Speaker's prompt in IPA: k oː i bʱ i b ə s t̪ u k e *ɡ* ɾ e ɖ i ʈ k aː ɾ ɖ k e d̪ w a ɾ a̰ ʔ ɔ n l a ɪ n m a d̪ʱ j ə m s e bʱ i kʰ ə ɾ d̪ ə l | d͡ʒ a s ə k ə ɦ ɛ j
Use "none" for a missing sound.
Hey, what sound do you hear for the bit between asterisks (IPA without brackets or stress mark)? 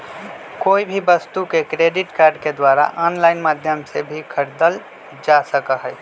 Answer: k